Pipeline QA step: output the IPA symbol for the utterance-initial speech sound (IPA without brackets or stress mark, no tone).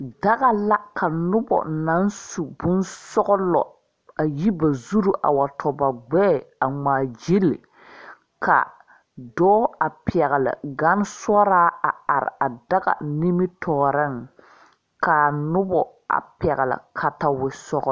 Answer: d